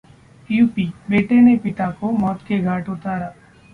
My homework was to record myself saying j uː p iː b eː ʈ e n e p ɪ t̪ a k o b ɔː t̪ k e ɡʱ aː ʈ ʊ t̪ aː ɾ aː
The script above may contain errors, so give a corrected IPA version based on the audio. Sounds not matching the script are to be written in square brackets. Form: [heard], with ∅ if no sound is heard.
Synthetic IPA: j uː p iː b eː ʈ e n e p ɪ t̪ a k o [m] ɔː t̪ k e ɡʱ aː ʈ ʊ t̪ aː ɾ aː